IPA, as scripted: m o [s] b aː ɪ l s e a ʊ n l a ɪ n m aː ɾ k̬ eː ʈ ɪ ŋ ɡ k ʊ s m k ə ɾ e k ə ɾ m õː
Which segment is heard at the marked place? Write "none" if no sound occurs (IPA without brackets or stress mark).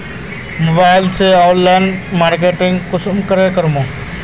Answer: none